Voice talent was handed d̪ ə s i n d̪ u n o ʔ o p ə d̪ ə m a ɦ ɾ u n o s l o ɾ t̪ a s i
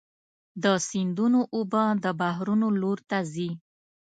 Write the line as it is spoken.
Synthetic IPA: d̪ ə s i n d̪ u n o ʔ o b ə d̪ ə b a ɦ ɾ u n o l o ɾ t̪ a z i